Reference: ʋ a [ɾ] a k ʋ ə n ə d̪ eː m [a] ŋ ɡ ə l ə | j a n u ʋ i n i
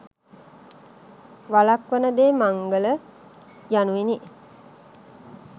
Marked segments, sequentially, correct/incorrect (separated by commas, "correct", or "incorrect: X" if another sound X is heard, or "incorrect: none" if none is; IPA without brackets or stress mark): incorrect: l, correct